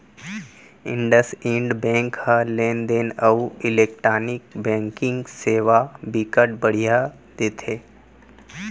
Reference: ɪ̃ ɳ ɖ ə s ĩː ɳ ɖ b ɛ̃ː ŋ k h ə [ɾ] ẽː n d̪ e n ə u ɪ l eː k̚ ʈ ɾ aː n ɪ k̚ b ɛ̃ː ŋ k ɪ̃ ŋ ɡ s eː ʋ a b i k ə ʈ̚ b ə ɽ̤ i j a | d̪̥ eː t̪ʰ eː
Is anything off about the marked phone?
yes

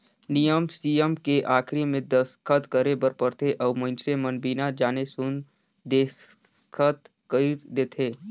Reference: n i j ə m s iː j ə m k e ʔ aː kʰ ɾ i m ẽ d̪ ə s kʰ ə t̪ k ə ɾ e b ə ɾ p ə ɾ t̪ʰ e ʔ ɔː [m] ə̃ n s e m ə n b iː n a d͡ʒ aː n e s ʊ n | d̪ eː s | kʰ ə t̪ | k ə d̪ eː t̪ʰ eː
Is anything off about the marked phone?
no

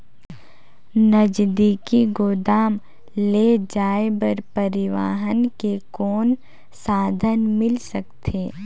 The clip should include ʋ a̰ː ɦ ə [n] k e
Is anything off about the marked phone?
no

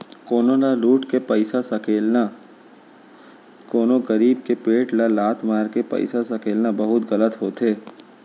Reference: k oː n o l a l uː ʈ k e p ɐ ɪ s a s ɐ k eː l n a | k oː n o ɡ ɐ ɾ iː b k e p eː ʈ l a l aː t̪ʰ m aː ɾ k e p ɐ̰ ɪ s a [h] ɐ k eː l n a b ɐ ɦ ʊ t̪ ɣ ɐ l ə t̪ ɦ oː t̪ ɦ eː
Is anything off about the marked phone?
yes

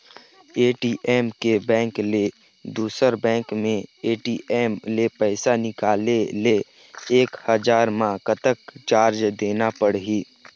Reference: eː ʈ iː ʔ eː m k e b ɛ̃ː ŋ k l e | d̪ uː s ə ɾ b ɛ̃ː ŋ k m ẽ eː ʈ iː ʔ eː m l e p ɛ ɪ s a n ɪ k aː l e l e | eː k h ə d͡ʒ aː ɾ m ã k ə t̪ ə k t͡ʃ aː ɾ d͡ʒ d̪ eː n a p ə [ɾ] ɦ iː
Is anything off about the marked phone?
yes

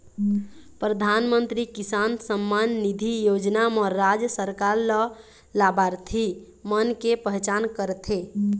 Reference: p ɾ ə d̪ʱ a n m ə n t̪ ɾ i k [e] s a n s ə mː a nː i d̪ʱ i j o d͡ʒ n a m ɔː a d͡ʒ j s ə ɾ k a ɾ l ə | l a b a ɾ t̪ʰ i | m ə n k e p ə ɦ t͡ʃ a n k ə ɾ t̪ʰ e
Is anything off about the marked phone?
yes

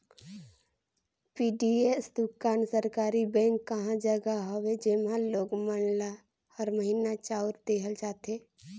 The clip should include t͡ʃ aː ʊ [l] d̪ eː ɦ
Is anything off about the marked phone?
yes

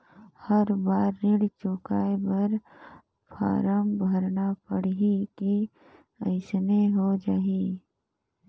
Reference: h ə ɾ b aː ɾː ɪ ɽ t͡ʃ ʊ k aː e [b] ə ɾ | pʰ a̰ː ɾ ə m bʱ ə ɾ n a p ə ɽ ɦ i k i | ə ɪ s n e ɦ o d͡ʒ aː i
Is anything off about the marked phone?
no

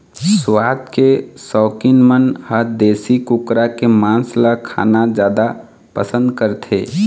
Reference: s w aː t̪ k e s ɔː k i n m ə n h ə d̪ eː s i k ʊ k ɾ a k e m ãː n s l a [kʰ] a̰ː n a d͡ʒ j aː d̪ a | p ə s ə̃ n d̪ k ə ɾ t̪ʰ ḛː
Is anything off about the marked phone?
no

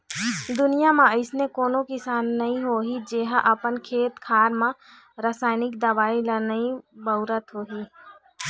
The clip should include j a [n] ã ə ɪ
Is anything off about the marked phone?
yes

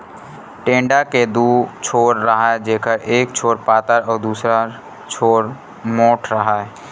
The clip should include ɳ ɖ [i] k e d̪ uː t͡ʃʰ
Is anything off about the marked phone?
yes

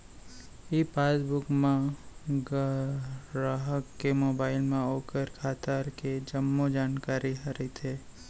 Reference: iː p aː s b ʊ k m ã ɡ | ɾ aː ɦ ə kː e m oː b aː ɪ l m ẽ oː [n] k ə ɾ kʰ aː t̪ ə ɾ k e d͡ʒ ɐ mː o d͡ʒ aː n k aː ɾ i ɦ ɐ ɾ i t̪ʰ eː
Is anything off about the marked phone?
yes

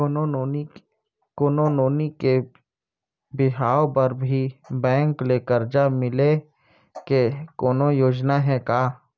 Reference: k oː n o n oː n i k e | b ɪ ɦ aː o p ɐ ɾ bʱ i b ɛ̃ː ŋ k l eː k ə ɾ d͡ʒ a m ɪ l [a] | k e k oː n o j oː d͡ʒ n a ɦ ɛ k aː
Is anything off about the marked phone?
yes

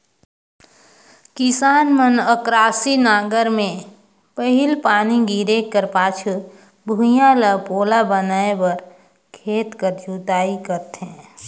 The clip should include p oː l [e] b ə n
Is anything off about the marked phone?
yes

